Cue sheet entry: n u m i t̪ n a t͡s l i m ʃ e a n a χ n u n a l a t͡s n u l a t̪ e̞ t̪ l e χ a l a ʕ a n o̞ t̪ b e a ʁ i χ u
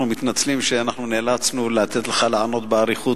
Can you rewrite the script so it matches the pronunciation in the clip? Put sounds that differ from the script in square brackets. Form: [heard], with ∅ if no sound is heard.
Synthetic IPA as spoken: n u m i t̪ n a t͡s l i m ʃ e a n a χ n u n [e] l a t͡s n u l a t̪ e̞ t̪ l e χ a l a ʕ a n o̞ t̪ b e a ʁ i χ u